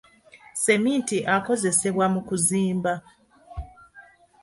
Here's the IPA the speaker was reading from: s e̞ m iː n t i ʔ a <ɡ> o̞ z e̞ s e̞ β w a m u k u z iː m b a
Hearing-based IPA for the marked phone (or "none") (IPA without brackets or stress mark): k